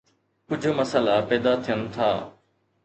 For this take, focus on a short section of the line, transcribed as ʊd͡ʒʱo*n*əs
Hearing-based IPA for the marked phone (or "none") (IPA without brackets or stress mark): m